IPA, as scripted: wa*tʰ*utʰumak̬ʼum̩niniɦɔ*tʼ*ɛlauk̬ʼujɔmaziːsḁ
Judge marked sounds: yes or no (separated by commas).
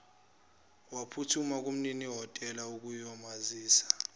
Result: no, yes